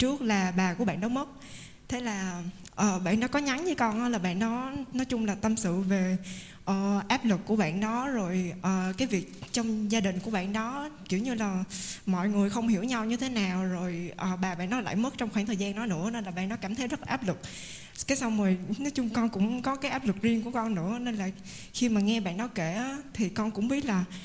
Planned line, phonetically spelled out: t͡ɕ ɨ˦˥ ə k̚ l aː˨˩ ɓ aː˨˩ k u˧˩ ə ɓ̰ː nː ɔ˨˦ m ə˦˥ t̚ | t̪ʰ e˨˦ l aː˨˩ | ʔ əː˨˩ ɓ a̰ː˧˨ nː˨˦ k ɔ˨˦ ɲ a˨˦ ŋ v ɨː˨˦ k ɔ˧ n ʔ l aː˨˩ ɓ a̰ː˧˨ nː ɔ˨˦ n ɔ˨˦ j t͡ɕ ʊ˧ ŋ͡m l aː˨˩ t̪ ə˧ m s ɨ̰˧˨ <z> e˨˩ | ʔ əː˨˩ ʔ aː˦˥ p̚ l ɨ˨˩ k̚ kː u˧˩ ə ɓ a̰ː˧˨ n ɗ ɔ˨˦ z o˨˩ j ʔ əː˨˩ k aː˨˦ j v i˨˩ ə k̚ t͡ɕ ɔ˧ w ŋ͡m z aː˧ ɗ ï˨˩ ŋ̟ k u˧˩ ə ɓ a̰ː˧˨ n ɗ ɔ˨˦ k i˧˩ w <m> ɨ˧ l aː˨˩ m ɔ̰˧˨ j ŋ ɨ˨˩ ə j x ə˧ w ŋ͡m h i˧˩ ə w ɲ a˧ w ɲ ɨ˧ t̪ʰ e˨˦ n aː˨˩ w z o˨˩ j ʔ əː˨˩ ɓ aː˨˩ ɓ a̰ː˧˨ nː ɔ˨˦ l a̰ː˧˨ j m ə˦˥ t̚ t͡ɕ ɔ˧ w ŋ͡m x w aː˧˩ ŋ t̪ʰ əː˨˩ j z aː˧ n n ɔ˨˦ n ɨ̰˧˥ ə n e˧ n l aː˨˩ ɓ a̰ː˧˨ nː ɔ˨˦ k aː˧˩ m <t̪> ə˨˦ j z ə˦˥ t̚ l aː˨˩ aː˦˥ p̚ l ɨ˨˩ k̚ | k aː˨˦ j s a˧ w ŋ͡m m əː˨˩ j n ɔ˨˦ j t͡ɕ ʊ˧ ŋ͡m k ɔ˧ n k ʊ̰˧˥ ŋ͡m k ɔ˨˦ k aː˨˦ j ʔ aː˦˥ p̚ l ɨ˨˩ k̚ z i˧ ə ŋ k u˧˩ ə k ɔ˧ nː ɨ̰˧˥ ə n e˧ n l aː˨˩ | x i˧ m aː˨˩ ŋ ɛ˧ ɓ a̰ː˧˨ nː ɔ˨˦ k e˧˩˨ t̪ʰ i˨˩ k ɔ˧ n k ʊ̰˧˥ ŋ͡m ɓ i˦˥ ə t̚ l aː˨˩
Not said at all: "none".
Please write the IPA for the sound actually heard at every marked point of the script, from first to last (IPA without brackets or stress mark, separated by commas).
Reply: v, ɲ, t̪ʰ